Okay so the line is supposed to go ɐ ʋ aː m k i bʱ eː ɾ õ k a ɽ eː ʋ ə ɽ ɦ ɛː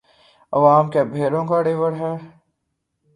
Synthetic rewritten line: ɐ ʋ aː m k e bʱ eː ɾ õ k a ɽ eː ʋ ə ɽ ɦ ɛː